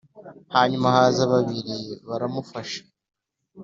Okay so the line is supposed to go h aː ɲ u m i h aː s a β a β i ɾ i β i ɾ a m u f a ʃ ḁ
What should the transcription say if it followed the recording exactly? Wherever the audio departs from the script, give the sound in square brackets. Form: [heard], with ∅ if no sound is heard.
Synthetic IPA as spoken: h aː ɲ u m [a] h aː [z] a β a β i ɾ i β [a] ɾ a m u f a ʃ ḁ